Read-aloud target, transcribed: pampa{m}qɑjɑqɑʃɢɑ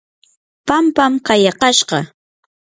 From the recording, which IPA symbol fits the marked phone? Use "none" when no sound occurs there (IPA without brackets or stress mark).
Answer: m